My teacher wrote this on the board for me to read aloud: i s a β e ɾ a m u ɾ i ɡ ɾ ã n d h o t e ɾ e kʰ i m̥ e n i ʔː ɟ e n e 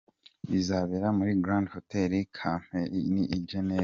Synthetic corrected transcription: i z a β e ɾ a m u ɾ i ɡ ɾ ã n d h o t e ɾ i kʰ a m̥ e n i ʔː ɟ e n e